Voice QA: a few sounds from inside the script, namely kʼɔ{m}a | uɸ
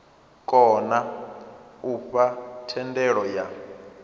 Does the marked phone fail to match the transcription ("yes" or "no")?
yes